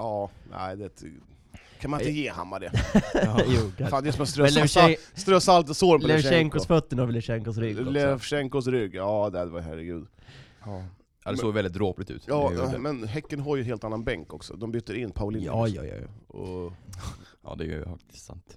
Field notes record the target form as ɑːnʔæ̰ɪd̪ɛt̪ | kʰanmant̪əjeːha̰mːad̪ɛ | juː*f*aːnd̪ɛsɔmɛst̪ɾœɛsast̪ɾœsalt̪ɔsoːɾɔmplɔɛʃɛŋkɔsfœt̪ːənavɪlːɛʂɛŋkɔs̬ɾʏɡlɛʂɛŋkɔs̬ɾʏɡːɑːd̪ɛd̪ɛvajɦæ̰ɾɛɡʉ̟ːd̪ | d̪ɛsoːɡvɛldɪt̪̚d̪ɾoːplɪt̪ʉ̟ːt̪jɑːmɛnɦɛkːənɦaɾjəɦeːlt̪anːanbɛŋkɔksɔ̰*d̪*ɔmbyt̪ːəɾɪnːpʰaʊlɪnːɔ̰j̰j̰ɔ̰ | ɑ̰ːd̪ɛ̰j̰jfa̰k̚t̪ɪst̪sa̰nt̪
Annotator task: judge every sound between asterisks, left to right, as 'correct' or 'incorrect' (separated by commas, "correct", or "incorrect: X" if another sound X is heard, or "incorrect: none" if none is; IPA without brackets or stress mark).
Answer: correct, correct